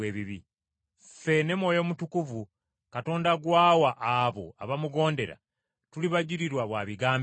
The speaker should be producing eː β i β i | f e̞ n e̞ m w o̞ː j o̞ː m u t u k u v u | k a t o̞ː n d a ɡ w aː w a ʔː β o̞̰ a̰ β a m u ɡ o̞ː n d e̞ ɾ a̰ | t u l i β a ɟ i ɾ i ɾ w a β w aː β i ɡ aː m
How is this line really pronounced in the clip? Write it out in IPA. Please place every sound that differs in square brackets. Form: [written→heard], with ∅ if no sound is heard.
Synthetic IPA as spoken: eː β i β i | f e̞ n e̞ m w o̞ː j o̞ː m u t u k u v u | k a t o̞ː n d a ɡ w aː w a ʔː β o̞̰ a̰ β a m u ɡ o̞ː n d e̞ ɾ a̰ | t u l i β a ɟ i ɾ i ɾ w a β w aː β i ɡ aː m